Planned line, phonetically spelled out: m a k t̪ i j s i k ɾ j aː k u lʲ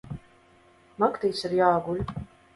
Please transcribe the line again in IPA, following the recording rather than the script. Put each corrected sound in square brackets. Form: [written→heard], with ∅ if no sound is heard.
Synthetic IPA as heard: m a k t̪ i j s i [k→∅] ɾ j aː [k→ɡ] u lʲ